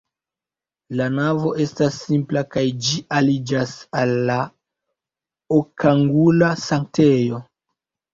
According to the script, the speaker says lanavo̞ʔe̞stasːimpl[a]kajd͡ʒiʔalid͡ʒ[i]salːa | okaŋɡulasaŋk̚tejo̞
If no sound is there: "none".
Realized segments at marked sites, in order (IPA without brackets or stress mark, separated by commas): a, a